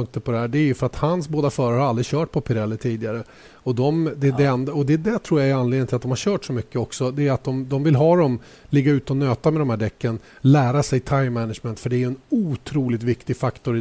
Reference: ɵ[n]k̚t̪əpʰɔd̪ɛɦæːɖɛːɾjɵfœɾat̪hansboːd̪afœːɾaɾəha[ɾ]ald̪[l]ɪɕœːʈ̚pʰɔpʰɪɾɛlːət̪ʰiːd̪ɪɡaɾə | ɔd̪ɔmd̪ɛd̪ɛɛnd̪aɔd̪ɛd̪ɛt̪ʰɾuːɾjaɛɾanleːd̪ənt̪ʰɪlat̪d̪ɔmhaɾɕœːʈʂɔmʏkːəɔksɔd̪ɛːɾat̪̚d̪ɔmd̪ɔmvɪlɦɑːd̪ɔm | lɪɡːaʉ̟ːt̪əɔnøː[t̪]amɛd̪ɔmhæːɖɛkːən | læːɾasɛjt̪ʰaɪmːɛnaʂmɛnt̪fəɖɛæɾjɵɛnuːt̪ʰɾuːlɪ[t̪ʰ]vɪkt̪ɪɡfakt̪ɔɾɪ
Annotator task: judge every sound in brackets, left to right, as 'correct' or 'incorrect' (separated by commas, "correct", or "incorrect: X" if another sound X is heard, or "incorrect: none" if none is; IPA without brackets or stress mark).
incorrect: ŋ, correct, incorrect: ɾ, correct, incorrect: t̪